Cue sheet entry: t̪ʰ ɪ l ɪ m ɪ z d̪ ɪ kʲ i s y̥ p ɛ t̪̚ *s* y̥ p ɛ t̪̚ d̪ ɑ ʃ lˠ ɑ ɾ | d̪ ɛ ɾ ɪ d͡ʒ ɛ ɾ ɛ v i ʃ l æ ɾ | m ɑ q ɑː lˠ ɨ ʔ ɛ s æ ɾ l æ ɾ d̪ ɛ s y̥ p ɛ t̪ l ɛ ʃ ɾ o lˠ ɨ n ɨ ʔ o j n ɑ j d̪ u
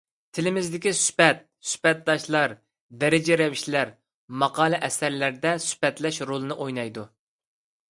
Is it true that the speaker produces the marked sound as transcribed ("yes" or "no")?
yes